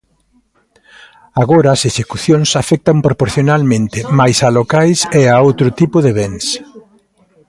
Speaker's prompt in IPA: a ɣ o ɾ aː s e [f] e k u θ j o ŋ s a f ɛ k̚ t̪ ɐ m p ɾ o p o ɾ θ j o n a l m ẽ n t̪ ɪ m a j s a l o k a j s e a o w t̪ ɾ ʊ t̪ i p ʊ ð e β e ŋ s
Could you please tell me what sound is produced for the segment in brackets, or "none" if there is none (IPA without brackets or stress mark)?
ʃ